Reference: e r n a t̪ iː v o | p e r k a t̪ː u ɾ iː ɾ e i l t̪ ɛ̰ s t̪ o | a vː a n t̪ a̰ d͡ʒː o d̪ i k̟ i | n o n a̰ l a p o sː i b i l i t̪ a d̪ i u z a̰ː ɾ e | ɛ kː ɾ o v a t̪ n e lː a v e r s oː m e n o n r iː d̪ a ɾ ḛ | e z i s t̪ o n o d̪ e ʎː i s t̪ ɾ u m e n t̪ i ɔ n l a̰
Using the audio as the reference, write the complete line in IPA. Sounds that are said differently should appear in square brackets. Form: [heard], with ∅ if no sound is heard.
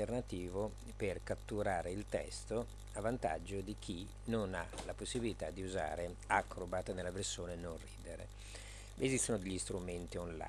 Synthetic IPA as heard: e r n a t̪ iː v o | p e r k a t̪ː u ɾ [aː] ɾ e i l t̪ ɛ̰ s t̪ o | a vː a n t̪ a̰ d͡ʒː o d̪ i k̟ i | n o n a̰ l a p o sː i b i l i t̪ a d̪ i u z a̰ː ɾ e | [a] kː ɾ o [b] a t̪ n e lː a v e r s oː [n] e n o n r iː d̪ [e] ɾ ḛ | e z i s t̪ o n o d̪ e ʎː i s t̪ ɾ u m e n t̪ i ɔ n l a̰